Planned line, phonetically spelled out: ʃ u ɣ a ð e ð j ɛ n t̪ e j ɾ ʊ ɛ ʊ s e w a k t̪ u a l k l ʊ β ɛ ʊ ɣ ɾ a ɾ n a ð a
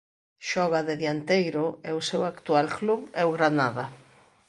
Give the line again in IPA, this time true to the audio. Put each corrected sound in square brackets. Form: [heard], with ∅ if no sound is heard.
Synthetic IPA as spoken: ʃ [ɔ] ɣ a ð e ð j [a] n t̪ e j ɾ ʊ ɛ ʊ s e w a k t̪ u a l k l [u] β ɛ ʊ ɣ ɾ a [∅] n a ð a